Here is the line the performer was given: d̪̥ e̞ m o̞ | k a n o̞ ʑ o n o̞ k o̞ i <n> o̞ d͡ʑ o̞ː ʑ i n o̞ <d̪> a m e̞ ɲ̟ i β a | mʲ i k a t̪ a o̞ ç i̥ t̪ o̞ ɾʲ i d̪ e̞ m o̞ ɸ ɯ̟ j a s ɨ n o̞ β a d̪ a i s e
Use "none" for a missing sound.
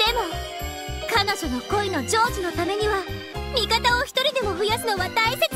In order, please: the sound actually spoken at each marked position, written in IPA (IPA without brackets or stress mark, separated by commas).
n, t̪